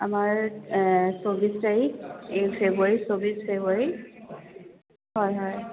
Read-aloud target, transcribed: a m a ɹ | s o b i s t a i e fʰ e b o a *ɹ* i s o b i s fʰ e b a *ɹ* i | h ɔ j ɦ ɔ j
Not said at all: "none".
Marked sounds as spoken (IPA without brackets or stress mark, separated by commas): ɹ, ɹ